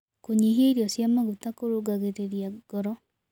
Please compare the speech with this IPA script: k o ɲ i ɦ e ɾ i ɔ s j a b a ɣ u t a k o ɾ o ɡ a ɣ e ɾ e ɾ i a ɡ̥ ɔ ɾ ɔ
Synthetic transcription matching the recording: k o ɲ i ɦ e ɾ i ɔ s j a m a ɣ u t a k o ɾ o ɡ a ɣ e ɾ e ɾ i a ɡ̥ ɔ ɾ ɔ